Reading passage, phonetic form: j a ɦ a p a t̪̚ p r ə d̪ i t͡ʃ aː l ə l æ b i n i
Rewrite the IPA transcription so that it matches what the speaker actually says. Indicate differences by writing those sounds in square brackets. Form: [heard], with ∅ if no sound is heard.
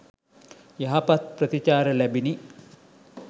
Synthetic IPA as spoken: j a ɦ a p a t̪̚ p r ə [t̪] i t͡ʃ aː [ɾ] ə l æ b i n i